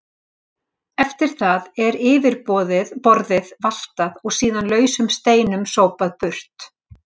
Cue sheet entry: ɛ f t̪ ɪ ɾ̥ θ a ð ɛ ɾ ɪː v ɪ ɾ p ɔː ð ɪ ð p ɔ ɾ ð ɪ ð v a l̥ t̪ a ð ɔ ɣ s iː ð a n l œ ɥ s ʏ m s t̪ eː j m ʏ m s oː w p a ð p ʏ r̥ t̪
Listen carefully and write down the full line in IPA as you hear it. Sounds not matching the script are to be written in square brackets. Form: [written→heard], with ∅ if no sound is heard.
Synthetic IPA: ɛ f t̪ ɪ ɾ̥ θ a ð ɛ ɾ ɪː v ɪ ɾ p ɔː ð ɪ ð p ɔ ɾ ð ɪ ð v a l̥ t̪ a ð ɔ ɣ s iː ð a n l [œ→œː] ɥ s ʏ m s t̪ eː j [m→n] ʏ m s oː w p a ð p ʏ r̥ t̪